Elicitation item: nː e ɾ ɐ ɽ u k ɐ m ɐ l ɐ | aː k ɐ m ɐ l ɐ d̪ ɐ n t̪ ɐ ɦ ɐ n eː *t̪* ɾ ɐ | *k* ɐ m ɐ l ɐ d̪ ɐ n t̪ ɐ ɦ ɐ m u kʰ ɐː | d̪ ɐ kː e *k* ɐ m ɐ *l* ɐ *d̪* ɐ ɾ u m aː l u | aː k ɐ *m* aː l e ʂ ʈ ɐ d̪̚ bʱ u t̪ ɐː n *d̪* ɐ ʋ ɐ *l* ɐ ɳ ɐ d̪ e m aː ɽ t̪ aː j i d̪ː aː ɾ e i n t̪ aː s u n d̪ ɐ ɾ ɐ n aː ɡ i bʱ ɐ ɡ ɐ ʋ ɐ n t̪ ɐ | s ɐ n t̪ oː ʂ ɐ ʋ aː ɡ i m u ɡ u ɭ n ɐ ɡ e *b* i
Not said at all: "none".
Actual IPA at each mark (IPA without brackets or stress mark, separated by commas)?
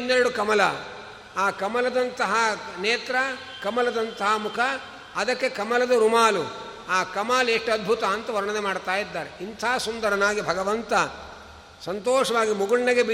t̪, k, k, l, d̪, m, t̪, ɾ, b